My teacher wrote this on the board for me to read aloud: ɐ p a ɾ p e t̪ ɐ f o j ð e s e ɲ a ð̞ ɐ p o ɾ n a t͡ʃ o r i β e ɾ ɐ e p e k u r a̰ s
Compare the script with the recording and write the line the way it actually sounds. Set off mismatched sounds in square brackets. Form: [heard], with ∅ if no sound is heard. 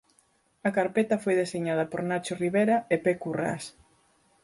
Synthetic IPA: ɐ [k] a ɾ p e t̪ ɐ f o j ð e s e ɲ a ð̞ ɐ p o ɾ n a t͡ʃ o r i β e ɾ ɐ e p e k u r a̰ s